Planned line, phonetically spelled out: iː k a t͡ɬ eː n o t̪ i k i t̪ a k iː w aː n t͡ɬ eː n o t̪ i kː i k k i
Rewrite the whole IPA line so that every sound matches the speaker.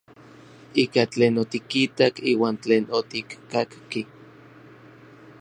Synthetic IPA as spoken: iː k a t͡ɬ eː n o t̪ i k i t̪ a k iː w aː n t͡ɬ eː n o t̪ i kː a k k i